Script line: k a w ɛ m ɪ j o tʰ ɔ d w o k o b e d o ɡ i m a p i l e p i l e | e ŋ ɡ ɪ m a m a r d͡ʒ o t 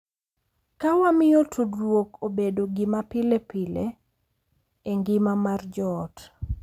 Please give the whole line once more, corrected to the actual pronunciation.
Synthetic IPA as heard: k a w a m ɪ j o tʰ u d w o k o b e d o ɡ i m a p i l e p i l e | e ŋ ɡ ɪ m a m a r d͡ʒ ɔ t